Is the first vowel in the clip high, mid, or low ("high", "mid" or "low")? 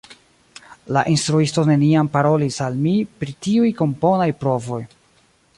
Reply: low